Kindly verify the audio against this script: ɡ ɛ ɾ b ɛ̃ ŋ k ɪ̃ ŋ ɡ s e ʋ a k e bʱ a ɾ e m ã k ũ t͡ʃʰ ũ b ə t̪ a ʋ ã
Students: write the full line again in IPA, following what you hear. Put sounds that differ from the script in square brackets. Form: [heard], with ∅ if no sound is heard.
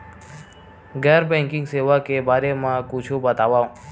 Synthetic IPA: ɡ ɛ ɾ b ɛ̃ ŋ k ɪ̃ ŋ ɡ s e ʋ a k e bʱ a ɾ e m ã k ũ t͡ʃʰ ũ b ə t̪ a ʋ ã